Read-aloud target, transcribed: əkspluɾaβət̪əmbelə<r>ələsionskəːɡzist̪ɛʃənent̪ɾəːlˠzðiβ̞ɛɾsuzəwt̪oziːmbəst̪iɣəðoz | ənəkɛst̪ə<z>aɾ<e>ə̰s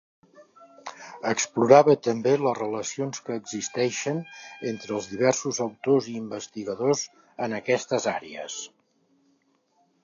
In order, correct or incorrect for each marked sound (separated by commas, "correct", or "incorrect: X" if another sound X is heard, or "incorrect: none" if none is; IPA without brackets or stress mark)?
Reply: correct, correct, correct